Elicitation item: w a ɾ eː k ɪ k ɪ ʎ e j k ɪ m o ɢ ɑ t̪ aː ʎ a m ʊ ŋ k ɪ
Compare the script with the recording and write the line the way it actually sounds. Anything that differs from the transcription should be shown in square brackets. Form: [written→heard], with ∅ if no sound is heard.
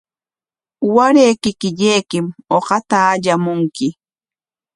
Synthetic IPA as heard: w a ɾ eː k ɪ k ɪ ʎ e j k ɪ m o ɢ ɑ t̪ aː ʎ a m ʊ ŋ k ɪ